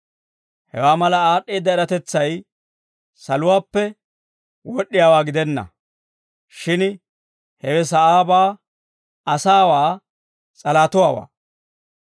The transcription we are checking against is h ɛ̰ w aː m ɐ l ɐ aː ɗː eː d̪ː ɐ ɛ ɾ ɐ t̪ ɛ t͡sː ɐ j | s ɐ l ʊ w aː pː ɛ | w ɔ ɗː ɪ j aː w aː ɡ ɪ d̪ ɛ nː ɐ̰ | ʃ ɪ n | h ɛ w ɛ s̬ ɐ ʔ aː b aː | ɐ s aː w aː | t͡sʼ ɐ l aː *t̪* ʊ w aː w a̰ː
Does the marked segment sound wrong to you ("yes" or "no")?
no